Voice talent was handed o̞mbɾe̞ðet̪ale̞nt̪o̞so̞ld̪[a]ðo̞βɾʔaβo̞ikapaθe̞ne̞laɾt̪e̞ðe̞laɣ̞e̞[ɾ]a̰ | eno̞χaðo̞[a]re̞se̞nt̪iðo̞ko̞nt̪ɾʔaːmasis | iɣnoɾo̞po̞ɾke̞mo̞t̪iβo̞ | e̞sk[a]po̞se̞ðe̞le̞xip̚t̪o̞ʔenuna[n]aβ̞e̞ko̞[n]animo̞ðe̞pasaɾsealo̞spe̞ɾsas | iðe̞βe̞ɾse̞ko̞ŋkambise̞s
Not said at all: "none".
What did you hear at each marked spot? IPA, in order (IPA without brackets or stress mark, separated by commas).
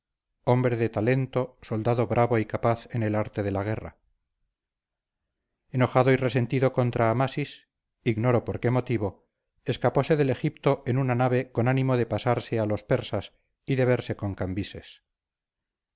a, r, i, a, n, n